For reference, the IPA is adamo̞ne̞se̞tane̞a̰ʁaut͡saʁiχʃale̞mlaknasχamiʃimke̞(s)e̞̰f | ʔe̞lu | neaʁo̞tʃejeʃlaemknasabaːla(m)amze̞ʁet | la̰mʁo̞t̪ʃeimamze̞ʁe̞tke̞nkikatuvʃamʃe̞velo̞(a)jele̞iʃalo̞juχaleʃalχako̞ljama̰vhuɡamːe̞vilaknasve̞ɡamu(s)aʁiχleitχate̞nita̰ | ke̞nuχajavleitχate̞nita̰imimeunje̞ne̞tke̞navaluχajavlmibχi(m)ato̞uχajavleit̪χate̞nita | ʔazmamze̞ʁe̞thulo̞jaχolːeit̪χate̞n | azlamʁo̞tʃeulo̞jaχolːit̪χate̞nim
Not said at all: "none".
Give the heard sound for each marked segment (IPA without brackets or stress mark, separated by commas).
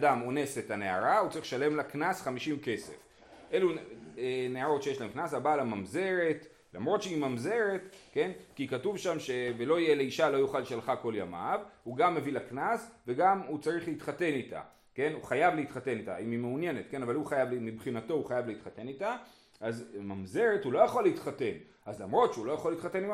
s, m, i, t͡s, n